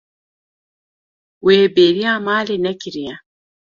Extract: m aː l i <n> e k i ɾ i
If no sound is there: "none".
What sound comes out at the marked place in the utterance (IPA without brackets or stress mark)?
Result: n